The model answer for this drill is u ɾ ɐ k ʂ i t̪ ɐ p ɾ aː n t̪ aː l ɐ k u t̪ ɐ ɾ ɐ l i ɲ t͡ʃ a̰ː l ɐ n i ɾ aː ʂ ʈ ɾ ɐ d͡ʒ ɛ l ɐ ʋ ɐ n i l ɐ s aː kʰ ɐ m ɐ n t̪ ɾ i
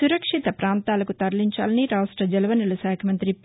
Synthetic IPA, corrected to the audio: u ɾ ɐ k ʂ i t̪ ɐ p ɾ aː n t̪ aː l ɐ k u t̪ ɐ ɾ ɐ l i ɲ t͡ʃ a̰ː l ɐ n i ɾ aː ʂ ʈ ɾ ɐ d͡ʒ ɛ l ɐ ʋ ɐ n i l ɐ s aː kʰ ɐ m ɐ n t̪ ɾ i

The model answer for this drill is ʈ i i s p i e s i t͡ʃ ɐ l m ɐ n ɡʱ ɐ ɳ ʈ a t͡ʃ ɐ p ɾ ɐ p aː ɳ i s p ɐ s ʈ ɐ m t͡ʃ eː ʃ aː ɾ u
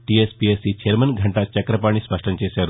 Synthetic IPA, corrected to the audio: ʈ i e s p i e s i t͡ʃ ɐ ɾ m ɐ n ɡʱ ɐ ɳ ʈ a t͡ʃ ɐ k ɾ ɐ p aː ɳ i s p ɐ ʂ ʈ ɐ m t͡ʃ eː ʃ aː ɾ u

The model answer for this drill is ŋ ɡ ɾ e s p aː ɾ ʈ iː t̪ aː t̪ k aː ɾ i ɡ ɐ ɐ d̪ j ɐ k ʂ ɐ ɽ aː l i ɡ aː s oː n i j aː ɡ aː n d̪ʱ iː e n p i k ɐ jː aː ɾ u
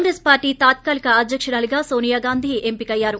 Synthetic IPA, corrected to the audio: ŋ ɡ ɾ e s p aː ɾ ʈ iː t̪ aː t̪ k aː l i k ɐ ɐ d̪ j ɐ k ʂ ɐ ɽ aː l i ɡ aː s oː n i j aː ɡ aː n d̪ʱ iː e m p i k ɐ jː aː ɾ u

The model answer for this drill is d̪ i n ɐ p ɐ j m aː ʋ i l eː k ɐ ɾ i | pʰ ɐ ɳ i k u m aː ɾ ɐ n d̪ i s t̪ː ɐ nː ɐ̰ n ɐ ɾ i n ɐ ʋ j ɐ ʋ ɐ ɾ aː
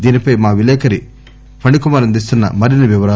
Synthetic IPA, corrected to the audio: d̪ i n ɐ p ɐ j m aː ʋ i l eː k ɐ ɾ i | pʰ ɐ ɳ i k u m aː ɾ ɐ n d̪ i s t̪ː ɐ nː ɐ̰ m ɐ ɾ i n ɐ ʋ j ɐ ʋ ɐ ɾ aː

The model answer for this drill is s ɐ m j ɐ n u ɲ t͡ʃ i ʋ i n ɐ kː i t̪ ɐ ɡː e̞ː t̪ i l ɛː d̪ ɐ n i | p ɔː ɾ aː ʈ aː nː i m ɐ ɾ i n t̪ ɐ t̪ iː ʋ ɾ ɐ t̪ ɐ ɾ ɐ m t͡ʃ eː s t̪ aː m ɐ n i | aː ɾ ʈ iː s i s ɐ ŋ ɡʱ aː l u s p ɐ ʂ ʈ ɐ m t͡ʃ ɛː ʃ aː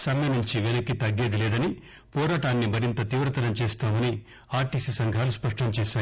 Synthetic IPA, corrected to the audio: s ɐ m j ɐ n u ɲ t͡ʃ i ʋ e n ɐ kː i t̪ ɐ ɡː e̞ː d̪ i l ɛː d̪ ɐ n i | p ɔː ɾ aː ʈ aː nː i m ɐ ɾ i n t̪ ɐ t̪ iː ʋ ɾ ɐ t̪ ɐ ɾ ɐ m t͡ʃ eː s t̪ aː m ɐ n i | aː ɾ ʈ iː s i s ɐ ŋ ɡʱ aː l u s p ɐ ʂ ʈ ɐ m t͡ʃ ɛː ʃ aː

